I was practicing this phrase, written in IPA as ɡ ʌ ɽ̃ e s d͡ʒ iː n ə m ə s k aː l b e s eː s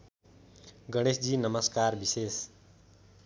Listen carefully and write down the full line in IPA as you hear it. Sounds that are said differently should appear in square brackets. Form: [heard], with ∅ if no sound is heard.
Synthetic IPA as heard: ɡ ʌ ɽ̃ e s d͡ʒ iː n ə m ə s k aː [ɾ] b [i] s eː s

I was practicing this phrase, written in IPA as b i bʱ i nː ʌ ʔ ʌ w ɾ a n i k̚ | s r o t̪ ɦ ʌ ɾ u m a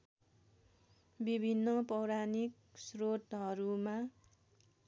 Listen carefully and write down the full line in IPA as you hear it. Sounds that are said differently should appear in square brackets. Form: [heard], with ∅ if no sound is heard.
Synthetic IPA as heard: b i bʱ i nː ʌ [p] ʌ w ɾ a n i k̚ | s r o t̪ ɦ ʌ ɾ u m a

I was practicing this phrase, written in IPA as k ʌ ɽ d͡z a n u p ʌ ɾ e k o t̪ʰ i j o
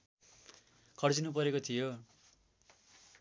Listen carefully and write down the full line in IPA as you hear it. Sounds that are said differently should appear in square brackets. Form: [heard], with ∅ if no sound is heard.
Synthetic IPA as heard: [kʰ] ʌ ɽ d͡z [i] n u p ʌ ɾ e k o t̪ʰ i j o

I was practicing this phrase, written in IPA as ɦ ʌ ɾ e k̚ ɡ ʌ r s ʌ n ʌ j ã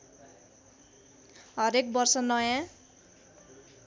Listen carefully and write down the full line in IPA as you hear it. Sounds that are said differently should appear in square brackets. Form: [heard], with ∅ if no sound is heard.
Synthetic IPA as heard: ɦ ʌ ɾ e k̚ [b] ʌ r s ʌ n ʌ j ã

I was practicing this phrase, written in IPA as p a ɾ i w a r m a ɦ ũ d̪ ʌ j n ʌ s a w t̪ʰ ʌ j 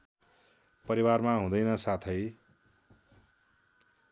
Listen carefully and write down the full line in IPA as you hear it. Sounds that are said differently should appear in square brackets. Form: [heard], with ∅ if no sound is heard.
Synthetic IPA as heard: p [ʌ] ɾ i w a r m a ɦ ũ d̪ ʌ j n ʌ s a [∅] t̪ʰ ʌ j

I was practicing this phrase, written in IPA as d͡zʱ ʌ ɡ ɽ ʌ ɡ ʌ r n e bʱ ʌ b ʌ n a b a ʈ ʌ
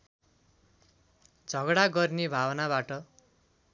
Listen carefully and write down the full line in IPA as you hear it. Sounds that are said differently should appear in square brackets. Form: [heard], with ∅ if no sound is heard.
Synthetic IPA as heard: d͡zʱ ʌ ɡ ɽ [a] ɡ ʌ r n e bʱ [a] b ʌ n a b a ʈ ʌ

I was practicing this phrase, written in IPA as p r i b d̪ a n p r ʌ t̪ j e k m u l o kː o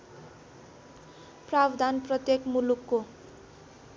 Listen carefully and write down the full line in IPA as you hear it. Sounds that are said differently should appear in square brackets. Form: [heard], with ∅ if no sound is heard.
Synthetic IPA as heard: p r [a] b d̪ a n p r ʌ t̪ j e k m u l [u] kː o

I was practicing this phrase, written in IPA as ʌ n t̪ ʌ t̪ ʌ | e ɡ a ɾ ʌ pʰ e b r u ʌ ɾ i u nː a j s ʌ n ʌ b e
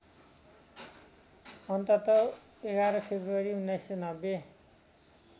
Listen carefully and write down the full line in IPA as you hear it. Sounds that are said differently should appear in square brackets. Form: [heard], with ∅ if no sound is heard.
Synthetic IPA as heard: ʌ n t̪ ʌ t̪ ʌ | e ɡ a ɾ ʌ pʰ e b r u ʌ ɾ i u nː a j s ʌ n ʌ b e

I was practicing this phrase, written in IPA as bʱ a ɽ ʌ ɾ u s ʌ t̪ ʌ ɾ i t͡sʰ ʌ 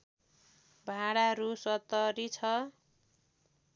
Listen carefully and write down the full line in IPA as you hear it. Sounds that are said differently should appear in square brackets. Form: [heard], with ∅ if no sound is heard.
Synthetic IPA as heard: bʱ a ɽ [a] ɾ u s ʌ t̪ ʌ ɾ i t͡sʰ ʌ

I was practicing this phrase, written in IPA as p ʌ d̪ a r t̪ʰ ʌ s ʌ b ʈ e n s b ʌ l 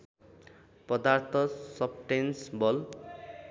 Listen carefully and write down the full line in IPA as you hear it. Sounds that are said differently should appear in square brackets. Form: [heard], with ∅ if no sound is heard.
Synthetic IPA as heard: p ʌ d̪ a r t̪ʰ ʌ s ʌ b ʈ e n s b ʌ l

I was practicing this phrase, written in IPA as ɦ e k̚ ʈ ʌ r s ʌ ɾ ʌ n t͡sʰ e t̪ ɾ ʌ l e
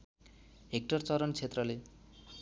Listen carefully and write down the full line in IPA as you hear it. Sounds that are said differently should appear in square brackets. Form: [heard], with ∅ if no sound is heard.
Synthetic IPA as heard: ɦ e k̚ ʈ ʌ r [t͡s] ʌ ɾ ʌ n t͡sʰ e t̪ [r] ʌ l e

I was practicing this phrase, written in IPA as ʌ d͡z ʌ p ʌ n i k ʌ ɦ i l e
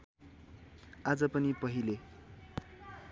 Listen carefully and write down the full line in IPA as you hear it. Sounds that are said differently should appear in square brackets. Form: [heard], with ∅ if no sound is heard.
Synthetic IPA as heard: [a] d͡z ʌ p ʌ n i [p] ʌ ɦ i l e

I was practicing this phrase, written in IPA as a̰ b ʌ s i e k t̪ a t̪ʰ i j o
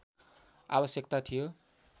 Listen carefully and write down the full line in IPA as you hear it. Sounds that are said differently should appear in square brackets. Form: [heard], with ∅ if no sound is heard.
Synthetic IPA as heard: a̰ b ʌ s [j] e k t̪ a t̪ʰ i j o

